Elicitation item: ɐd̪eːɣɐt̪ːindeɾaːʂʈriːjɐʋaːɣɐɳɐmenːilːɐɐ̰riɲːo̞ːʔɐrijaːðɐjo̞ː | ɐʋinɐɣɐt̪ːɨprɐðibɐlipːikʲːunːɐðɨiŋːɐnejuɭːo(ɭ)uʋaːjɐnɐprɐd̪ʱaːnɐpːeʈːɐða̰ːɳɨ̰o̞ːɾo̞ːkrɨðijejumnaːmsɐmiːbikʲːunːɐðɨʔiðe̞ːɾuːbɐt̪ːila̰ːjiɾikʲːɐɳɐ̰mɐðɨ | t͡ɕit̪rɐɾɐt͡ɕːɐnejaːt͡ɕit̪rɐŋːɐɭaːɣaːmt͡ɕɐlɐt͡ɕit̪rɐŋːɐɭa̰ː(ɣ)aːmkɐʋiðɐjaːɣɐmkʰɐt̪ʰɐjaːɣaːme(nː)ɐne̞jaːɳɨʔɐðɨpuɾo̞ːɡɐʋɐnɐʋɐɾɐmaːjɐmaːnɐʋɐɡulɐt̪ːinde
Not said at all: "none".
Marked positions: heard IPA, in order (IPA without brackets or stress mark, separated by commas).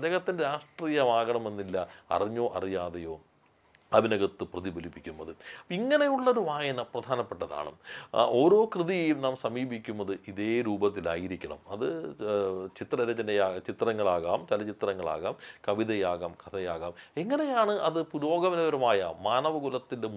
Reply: ɾ, ɣ, ŋː